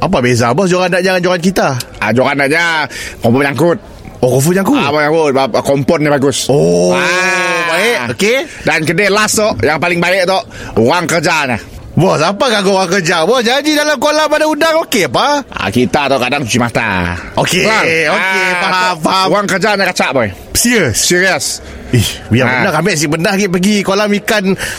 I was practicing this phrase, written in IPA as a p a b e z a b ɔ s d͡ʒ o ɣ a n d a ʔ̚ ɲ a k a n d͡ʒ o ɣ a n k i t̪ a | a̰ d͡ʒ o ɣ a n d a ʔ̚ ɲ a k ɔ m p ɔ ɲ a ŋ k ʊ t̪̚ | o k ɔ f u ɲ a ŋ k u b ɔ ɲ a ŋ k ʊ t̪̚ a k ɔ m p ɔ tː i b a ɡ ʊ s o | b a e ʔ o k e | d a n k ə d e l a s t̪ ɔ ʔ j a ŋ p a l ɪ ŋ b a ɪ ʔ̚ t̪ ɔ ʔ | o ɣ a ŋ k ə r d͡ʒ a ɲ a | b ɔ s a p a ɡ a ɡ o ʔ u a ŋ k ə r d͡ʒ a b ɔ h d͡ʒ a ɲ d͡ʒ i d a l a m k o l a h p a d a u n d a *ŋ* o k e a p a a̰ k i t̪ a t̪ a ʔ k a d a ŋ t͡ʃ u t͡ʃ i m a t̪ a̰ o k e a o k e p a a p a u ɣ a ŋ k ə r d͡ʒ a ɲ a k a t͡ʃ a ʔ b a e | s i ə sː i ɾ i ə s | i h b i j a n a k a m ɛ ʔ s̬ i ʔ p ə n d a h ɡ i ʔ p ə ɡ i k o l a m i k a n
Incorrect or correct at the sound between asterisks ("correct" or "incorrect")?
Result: correct